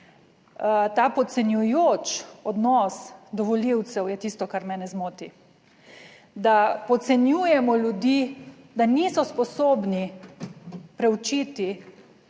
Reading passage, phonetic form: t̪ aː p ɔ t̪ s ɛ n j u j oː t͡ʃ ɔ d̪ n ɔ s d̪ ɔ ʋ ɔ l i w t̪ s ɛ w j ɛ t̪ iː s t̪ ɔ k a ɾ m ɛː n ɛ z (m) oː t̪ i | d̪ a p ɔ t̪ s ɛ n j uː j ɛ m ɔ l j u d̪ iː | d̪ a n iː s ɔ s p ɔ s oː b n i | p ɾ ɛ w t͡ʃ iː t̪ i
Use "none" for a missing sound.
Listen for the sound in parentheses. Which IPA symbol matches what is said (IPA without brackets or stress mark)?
m